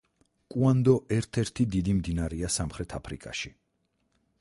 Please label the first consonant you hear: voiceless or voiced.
voiceless